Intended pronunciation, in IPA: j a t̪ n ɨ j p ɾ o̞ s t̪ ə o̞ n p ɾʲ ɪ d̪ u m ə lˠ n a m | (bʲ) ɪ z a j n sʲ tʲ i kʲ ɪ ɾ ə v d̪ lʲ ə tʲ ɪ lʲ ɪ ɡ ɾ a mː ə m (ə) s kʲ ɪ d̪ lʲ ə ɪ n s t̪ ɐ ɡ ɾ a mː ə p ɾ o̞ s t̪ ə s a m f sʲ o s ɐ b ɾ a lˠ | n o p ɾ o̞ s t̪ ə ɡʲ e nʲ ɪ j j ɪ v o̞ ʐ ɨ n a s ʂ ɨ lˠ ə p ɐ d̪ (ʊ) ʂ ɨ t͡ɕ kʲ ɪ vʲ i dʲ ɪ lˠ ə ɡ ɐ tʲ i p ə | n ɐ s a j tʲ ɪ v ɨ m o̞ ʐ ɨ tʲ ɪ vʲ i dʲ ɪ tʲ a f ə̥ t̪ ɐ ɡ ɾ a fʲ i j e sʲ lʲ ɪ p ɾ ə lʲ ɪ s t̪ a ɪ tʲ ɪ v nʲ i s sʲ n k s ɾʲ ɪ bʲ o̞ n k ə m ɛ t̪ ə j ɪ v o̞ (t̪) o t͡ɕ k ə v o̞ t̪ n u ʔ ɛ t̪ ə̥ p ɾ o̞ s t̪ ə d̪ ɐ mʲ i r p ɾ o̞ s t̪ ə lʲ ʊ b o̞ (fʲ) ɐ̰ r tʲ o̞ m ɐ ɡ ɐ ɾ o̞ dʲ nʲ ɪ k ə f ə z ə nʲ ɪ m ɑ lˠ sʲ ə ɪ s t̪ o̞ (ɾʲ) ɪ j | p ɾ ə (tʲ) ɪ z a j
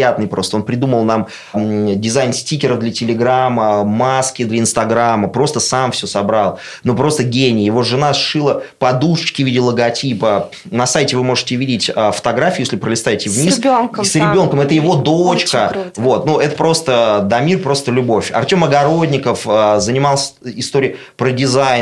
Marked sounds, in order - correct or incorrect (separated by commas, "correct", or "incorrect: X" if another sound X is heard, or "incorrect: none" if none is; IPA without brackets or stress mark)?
incorrect: dʲ, incorrect: a, incorrect: u, incorrect: d̪, correct, correct, incorrect: dʲ